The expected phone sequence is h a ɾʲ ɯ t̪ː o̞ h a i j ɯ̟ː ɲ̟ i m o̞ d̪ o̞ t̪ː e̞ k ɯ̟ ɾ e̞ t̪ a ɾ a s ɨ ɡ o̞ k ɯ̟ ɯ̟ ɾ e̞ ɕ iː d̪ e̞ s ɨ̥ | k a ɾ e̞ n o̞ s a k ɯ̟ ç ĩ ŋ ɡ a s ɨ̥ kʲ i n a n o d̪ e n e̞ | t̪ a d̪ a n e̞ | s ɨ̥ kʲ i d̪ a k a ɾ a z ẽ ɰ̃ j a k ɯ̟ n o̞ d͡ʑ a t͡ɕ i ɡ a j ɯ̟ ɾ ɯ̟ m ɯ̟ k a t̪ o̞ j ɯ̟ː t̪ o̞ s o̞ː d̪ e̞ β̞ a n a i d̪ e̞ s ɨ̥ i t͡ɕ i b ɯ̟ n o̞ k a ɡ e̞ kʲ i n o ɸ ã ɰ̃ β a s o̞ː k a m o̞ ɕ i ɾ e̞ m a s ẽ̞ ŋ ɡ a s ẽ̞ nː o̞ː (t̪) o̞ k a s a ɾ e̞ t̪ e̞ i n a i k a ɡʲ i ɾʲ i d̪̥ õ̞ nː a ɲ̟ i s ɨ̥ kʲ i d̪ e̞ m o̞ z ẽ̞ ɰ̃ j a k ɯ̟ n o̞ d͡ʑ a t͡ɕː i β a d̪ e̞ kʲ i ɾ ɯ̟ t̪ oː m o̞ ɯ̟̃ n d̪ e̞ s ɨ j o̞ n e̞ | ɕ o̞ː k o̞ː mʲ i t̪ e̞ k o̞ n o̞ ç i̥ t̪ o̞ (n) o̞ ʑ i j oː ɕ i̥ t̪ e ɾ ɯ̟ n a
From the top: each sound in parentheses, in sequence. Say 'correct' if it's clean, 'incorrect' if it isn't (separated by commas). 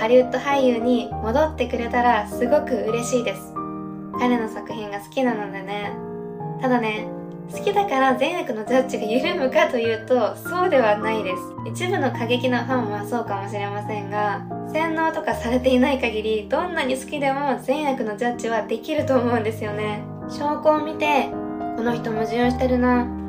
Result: correct, incorrect